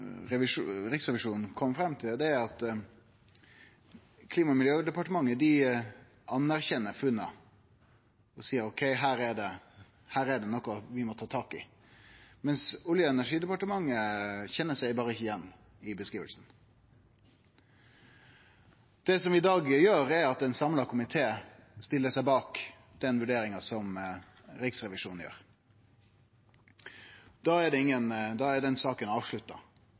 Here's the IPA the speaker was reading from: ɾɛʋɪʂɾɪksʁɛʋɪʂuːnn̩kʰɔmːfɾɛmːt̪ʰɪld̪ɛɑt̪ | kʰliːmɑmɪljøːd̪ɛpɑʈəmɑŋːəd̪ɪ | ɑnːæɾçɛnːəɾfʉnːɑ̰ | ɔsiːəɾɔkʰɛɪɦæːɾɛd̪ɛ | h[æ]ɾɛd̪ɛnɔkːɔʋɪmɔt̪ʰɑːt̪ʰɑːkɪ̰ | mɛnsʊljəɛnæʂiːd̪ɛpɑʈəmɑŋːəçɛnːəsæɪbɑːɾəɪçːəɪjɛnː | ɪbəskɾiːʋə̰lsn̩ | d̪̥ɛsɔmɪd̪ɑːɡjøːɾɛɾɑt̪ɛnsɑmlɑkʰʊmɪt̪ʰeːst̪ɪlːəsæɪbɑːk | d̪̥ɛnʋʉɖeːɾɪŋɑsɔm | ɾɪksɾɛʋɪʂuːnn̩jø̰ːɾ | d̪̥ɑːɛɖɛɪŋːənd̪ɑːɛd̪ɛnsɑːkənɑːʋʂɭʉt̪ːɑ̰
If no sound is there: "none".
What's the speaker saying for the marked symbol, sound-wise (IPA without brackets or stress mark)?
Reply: æː